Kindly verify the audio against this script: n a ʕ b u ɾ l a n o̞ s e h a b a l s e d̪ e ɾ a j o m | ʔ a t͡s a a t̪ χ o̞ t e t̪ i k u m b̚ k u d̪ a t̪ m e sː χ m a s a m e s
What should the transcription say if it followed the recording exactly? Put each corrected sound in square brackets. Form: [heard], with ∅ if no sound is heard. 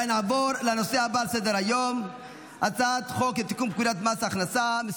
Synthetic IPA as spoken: n a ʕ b [o] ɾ l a n o̞ s e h a b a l s e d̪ e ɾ a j o m | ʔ a t͡s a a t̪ χ o̞ [k] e t̪ i k u m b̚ k u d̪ a t̪ m [a] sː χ [n] a s a m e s